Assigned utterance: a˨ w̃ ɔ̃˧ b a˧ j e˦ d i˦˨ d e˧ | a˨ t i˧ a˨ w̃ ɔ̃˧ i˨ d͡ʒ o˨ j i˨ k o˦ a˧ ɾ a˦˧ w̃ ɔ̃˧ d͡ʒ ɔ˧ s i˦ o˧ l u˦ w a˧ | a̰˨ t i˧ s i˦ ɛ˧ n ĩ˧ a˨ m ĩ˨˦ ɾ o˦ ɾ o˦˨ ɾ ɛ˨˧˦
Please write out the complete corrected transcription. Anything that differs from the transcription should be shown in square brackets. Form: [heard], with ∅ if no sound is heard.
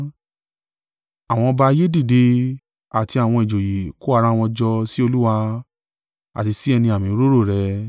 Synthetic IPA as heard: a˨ w̃ ɔ̃˧ b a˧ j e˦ d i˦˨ d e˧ | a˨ t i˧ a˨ w̃ ɔ̃˧ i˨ d͡ʒ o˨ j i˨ k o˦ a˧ ɾ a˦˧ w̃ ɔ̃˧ d͡ʒ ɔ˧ s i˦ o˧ l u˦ w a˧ | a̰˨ t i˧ s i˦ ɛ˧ n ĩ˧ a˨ m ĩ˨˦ ɾ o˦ ɾ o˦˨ ɾ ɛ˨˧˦